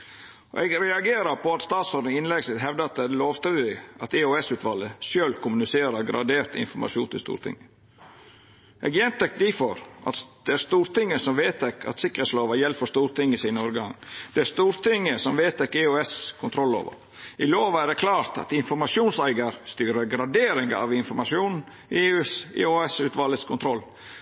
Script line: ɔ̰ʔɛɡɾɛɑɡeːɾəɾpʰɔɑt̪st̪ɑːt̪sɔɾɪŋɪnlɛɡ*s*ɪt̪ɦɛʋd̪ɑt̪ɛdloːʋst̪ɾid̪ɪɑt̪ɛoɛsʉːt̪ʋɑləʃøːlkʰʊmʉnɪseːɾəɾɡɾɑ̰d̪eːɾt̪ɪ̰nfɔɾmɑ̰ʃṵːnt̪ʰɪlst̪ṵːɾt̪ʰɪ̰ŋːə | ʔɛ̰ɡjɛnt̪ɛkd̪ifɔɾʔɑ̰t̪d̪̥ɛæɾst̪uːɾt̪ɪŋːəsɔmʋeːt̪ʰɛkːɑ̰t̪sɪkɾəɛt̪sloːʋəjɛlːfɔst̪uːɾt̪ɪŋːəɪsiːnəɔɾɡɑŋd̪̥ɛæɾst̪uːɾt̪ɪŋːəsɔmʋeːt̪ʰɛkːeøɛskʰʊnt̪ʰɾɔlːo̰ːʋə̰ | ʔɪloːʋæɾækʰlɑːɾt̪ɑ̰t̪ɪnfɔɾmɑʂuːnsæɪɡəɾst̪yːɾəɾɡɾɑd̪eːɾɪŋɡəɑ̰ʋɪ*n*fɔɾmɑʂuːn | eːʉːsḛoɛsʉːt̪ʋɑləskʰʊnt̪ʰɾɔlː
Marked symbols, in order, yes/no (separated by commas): yes, yes